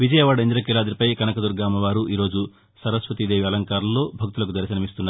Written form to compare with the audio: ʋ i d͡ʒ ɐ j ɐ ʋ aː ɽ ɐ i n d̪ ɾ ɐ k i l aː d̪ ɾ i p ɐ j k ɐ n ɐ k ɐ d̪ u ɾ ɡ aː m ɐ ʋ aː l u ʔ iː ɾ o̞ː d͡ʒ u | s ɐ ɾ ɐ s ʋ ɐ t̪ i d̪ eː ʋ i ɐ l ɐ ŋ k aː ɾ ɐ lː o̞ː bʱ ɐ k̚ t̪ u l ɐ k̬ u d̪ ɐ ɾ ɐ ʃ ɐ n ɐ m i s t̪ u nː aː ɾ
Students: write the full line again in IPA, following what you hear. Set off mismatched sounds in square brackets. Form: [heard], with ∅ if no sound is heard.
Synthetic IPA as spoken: ʋ i d͡ʒ ɐ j ɐ ʋ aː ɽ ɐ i n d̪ ɾ ɐ k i l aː d̪ ɾ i p ɐ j k ɐ n ɐ k ɐ d̪ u ɾ ɡ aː m ɐ ʋ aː [ɾ] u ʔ iː ɾ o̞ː d͡ʒ u | s ɐ ɾ ɐ s ʋ ɐ t̪ i d̪ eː ʋ i ɐ l ɐ ŋ k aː ɾ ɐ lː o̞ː bʱ ɐ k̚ t̪ u l ɐ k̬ u d̪ ɐ ɾ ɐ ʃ ɐ n ɐ m i s t̪ u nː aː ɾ